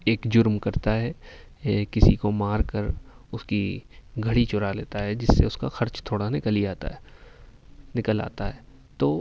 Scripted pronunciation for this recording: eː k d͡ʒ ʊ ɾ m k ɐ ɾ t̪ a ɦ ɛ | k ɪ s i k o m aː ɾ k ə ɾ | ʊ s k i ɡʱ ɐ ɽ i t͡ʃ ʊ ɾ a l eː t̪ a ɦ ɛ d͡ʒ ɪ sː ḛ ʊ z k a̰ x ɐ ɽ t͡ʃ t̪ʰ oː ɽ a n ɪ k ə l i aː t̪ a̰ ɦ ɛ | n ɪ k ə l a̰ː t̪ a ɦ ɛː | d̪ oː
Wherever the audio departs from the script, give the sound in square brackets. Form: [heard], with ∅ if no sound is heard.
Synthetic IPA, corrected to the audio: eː k d͡ʒ ʊ ɾ m k ɐ ɾ t̪ a ɦ ɛ | k ɪ s i k o m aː ɾ k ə ɾ | ʊ s k i ɡʱ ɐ ɽ i t͡ʃ ʊ ɾ a l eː t̪ a ɦ ɛ d͡ʒ ɪ sː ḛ ʊ [s] k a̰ x ɐ [ɾ] t͡ʃ t̪ʰ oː ɽ a n ɪ k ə l i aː t̪ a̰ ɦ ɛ | n ɪ k ə l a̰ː t̪ a ɦ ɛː | [t̪] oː